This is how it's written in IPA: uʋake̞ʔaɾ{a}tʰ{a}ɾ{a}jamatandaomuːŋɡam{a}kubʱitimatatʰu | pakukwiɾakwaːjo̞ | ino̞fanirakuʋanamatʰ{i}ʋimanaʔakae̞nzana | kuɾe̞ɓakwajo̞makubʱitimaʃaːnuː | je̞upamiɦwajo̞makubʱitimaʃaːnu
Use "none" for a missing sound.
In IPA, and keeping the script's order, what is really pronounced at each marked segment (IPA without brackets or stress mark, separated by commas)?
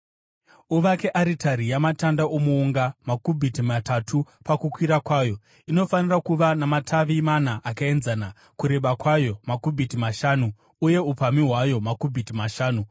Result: i, a, i, a, a